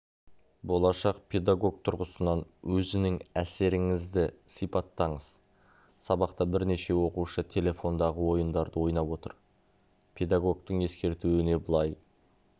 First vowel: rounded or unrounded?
rounded